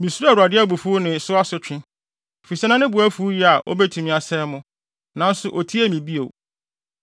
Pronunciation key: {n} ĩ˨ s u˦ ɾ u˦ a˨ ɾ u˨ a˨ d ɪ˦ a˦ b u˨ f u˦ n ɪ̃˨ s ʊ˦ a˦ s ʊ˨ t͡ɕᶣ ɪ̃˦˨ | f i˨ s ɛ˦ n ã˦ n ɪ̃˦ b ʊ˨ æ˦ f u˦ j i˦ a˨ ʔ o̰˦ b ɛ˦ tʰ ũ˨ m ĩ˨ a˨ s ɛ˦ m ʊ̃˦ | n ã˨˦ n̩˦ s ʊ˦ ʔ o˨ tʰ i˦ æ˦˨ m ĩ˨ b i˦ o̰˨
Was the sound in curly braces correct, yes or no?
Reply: no